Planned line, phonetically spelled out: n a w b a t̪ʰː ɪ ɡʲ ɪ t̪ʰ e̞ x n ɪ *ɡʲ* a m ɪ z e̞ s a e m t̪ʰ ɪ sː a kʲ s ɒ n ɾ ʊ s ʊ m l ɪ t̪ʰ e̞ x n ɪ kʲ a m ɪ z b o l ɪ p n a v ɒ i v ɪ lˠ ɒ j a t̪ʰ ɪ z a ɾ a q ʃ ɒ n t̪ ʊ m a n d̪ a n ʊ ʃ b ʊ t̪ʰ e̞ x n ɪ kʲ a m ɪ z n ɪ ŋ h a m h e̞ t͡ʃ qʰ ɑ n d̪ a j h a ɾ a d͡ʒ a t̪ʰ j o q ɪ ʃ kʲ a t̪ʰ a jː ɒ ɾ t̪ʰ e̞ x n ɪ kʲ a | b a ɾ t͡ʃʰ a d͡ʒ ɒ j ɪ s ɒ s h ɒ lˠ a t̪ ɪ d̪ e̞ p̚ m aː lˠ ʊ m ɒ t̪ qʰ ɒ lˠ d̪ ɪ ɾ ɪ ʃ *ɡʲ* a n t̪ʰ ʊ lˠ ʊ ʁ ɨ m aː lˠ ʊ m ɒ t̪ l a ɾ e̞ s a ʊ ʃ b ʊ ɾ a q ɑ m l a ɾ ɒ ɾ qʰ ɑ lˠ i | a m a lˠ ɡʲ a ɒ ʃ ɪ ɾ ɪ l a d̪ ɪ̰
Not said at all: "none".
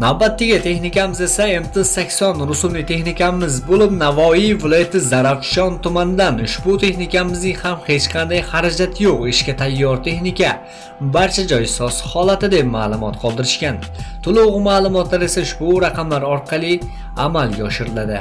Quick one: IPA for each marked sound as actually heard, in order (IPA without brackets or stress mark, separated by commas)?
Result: kʲ, kʲ